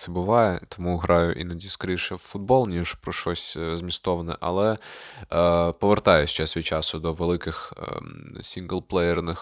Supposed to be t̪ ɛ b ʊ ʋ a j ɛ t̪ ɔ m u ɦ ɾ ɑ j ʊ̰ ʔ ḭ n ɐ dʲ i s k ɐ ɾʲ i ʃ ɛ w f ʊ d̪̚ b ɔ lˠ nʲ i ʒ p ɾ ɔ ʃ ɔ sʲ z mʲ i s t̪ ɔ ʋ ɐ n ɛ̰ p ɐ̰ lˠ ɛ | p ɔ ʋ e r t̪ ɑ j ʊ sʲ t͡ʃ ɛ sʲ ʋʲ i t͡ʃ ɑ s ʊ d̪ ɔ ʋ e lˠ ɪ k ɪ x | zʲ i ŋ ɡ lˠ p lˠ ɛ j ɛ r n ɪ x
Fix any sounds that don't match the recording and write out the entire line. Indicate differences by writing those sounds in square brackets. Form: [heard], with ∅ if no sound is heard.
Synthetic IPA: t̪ ɛ b ʊ ʋ [ɑ] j ɛ t̪ ɔ m u ɦ ɾ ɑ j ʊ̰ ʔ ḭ n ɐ dʲ i s k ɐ ɾʲ i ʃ ɛ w f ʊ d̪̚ b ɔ lˠ nʲ i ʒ p ɾ ɔ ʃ ɔ sʲ z mʲ i s t̪ ɔ ʋ ɐ n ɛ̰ [ʔ] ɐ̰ lˠ ɛ | p ɔ ʋ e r t̪ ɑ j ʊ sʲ t͡ʃ ɛ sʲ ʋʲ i t͡ʃ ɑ s ʊ d̪ ɔ ʋ e lˠ ɪ k ɪ x | [sʲ] i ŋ ɡ lˠ p lˠ ɛ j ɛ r n ɪ x